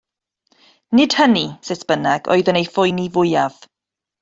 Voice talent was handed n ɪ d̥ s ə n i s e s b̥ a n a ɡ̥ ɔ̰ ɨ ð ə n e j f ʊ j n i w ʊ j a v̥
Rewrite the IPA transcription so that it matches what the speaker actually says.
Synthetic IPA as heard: n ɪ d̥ h ə n i s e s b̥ ə n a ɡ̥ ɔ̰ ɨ ð ə n e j f ʊ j n i v ʊ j a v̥